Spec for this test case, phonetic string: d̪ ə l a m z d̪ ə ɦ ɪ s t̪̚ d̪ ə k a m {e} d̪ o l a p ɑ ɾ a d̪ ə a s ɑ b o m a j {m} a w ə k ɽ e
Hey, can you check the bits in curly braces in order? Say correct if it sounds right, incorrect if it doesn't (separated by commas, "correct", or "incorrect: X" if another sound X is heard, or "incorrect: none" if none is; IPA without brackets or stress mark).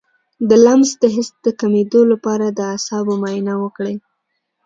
correct, incorrect: n